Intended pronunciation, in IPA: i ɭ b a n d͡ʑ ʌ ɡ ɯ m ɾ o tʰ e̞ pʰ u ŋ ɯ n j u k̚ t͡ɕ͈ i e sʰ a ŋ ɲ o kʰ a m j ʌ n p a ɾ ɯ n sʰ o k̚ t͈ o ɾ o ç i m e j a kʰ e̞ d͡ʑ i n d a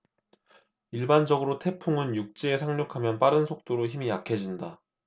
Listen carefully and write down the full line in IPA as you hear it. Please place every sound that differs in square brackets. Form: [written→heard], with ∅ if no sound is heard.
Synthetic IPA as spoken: i ɭ b a n d͡ʑ ʌ ɡ ɯ [m→∅] ɾ o tʰ e̞ pʰ u ŋ ɯ n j u k̚ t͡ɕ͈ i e sʰ a ŋ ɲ o kʰ a m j ʌ n p a ɾ ɯ n sʰ o k̚ t͈ o ɾ o ç i m [e→i] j a kʰ e̞ d͡ʑ i n d a